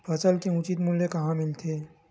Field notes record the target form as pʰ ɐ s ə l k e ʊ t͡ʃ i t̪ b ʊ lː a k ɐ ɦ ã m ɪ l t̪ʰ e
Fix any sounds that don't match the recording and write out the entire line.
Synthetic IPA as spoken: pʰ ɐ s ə l k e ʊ t͡ʃ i t̪ m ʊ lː e k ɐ ɦ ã m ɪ l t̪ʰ e

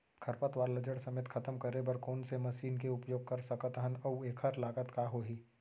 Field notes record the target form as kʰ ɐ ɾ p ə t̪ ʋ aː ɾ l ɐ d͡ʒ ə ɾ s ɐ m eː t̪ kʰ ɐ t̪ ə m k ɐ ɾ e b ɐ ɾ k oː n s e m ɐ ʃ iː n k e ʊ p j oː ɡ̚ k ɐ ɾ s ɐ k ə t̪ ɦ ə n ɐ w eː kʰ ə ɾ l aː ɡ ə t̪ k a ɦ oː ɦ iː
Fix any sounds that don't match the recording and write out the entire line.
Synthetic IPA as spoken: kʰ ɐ ɾ p ə t̪ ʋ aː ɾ l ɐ d͡ʒ ə ɽ s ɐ m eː t̪ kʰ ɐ t̪ ə m k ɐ ɾ e b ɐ ɾ k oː n s e m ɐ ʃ iː n k e ʊ p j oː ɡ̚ k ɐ ɾ s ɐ k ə t̪ ɦ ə n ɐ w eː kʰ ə ɾ l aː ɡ ə t̪ k a ɦ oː ɦ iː

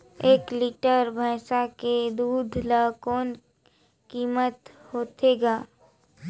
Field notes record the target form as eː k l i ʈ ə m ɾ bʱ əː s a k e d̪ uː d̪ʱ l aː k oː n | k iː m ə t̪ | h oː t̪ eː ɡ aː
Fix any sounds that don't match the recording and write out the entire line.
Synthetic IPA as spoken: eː k l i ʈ ə ɾ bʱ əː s a k e d̪ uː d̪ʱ l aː k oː n | k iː m ə t̪ | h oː t̪ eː ɡ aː

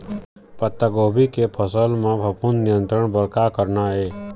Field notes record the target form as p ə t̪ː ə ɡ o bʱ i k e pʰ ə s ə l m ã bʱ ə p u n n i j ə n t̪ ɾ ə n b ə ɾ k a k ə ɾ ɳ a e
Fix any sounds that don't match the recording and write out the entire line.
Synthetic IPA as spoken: p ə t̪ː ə ɡ o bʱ i k e pʰ ə s ə l m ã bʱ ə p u n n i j ə n t̪ ɾ ə ɳ b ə ɾ k a k ə ɾ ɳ a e

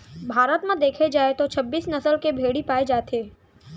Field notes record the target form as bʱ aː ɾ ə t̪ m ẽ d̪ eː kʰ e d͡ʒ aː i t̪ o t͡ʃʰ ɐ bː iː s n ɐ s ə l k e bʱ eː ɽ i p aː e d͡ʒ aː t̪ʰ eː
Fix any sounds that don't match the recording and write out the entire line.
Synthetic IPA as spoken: bʱ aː ɾ ə t̪ m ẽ d̪ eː kʰ e d͡ʒ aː e t̪ o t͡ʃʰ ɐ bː iː s n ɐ s ə l k e bʱ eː ɽ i p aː e d͡ʒ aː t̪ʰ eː

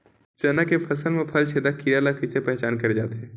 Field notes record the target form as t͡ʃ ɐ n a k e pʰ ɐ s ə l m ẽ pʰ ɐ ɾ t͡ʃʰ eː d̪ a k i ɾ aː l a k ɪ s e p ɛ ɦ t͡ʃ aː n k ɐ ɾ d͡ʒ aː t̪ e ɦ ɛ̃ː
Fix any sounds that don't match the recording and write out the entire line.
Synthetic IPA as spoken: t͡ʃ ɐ n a k e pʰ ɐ s ə l m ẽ pʰ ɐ l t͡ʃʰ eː d̪ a k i ɾ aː l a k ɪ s e p ɛ ɦ t͡ʃ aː n k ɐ ɾ d͡ʒ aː t̪ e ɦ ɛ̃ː

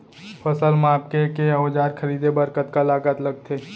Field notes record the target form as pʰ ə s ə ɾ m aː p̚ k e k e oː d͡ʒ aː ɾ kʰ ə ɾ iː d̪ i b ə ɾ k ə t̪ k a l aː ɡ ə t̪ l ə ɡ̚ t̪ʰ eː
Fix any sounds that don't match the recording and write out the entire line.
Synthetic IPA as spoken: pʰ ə s ə l m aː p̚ k e k e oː d͡ʒ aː ɾ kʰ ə ɾ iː d̪ e b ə ɾ k ə t̪ k a l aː ɡ ə t̪ l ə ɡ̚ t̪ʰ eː

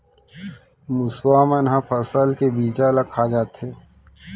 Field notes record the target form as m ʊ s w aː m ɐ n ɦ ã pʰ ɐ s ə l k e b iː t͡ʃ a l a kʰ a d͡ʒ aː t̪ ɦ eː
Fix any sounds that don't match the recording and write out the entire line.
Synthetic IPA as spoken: m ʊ s w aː m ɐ n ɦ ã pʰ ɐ s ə l k e b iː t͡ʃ a l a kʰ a d͡ʒ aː t̪ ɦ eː

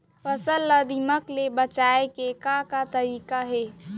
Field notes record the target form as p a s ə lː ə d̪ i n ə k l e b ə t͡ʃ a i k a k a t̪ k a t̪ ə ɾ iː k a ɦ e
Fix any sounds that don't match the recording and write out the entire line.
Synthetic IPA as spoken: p ə s ə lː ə d̪ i m ə k l e b ə t͡ʃ a e k e k a k a t̪ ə ɾ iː k a ɦ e

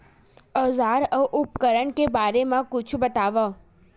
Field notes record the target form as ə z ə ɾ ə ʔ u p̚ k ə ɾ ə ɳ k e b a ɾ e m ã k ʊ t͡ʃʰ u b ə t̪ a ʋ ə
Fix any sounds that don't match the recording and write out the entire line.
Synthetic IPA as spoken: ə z a ɾ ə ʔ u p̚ k ə ɾ ə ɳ k e b a ɾ e m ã k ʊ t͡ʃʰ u b ə t̪ a ʋ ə

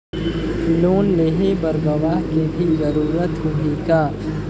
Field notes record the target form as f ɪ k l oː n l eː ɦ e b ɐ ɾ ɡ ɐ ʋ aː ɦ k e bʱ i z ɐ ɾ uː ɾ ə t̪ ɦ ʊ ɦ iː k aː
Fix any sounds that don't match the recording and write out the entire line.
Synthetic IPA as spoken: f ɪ l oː n l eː ɦ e b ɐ ɾ ɡ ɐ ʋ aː ɦ k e bʱ i z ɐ ɾ uː ɾ ə t̪ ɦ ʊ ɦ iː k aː

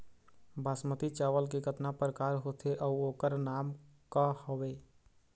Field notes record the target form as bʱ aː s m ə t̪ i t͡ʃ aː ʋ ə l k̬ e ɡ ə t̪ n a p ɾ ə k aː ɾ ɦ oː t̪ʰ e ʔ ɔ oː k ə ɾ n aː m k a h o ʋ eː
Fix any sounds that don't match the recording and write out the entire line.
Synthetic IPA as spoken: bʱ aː s m ə t̪ i t͡ʃ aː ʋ ə l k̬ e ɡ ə t̪ n a p ɾ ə k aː ɾ ɦ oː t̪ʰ e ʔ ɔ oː k ə ɾ n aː m k a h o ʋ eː

